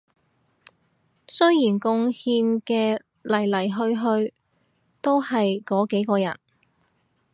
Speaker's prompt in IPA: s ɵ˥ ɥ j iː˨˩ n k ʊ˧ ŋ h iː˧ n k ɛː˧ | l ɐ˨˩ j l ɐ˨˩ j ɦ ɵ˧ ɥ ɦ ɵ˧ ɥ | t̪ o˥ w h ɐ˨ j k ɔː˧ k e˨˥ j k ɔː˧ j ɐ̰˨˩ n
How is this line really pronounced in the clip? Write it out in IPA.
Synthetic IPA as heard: s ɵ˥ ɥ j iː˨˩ n k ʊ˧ ŋ h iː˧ n k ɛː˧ | l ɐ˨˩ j l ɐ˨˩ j ɦ ɵ˧ ɥ ɦ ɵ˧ ɥ | t̪ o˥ w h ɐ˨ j k ɔː˨˥ k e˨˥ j k ɔː˧ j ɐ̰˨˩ n